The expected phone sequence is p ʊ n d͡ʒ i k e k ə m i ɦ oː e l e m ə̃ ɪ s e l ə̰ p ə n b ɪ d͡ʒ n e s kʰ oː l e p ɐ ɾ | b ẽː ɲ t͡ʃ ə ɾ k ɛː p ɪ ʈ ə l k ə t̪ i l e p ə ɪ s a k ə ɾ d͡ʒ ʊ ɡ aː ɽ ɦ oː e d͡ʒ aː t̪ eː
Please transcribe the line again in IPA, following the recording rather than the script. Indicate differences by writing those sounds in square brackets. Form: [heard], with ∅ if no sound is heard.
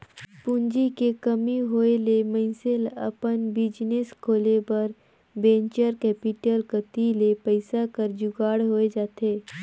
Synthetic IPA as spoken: p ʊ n d͡ʒ i k e k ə m i ɦ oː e l e m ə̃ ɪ s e l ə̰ p ə n b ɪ d͡ʒ n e s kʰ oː l e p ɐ ɾ | b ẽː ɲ t͡ʃ ə ɾ k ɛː p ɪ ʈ ə l k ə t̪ i l e p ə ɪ s a k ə ɾ d͡ʒ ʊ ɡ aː ɽ ɦ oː e d͡ʒ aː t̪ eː